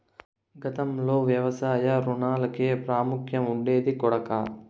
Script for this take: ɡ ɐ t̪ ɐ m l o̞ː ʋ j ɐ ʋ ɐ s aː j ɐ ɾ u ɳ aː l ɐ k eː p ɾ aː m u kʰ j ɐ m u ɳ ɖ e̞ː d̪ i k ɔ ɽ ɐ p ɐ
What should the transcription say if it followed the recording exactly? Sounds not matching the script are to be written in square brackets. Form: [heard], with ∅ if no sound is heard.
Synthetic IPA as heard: ɡ ɐ t̪ ɐ m l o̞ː ʋ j ɐ ʋ ɐ s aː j ɐ ɾ u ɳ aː l ɐ k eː p ɾ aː m u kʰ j ɐ m u ɳ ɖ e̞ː d̪ i k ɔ ɽ ɐ [k] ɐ